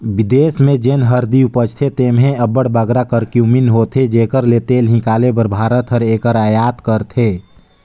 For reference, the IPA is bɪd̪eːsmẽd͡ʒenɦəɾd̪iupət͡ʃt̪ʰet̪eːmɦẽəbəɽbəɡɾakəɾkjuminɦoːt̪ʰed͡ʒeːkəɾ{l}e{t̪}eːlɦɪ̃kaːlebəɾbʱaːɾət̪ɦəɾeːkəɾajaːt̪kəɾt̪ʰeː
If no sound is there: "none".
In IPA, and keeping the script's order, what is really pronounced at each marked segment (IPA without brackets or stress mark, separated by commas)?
l, t̪